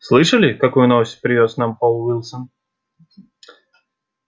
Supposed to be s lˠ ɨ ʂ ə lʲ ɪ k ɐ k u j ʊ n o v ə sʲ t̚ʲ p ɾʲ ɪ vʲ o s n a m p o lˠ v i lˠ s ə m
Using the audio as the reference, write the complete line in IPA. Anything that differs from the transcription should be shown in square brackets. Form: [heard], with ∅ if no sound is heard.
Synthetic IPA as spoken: s lˠ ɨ ʂ ə lʲ ɪ k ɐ k u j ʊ n o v ə sʲ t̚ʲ p ɾʲ ɪ vʲ o s n a m p o lˠ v i lˠ s ə [n]